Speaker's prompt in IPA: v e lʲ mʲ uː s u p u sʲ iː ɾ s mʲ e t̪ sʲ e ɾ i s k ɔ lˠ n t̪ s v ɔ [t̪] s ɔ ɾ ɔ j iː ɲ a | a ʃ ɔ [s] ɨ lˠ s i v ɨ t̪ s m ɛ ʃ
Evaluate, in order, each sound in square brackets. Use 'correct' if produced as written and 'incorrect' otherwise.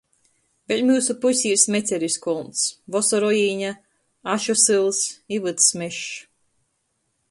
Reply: incorrect, correct

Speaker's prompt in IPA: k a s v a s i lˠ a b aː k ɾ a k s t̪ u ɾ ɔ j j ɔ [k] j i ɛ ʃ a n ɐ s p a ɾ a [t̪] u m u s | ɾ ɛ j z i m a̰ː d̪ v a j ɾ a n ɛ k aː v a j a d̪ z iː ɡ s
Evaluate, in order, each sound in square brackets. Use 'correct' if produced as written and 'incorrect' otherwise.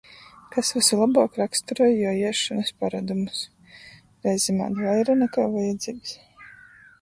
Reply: incorrect, incorrect

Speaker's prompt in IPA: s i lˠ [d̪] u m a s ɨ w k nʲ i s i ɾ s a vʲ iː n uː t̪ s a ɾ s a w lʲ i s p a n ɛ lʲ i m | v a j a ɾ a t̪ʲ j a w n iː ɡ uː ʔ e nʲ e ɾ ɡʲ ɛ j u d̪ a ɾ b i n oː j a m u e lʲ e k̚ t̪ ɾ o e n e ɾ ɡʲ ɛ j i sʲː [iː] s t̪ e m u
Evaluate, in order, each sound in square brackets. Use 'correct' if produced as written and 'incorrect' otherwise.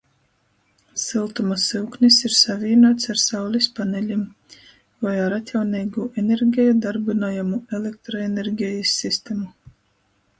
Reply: incorrect, incorrect

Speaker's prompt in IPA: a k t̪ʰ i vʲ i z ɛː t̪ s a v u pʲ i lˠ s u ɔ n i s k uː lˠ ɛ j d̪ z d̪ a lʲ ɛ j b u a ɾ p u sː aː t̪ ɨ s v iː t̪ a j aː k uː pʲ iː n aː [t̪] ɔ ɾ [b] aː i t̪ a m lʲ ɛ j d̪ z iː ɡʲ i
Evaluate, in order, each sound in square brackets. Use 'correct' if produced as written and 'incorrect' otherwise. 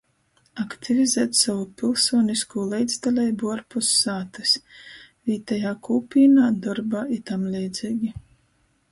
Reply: incorrect, correct

